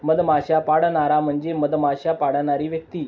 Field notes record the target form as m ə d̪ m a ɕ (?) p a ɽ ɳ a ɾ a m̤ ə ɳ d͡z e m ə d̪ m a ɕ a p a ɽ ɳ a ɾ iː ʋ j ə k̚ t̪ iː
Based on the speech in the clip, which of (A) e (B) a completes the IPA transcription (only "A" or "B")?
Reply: B